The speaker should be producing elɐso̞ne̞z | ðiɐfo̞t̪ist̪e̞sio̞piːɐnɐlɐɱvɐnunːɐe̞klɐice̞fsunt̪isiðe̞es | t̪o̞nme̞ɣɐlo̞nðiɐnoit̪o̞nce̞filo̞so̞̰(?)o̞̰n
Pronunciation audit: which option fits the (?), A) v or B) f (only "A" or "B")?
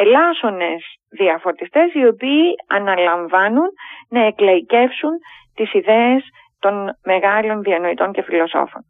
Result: B